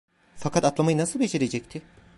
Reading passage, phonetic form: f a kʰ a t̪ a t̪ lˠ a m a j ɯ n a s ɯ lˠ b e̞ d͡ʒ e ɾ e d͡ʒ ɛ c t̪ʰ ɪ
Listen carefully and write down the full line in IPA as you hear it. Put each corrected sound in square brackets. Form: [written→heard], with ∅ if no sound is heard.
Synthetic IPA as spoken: f a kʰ a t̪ a t̪ lˠ a m a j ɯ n a s ɯ lˠ b e̞ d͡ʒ e ɾ e d͡ʒ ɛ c t̪ʰ ɪ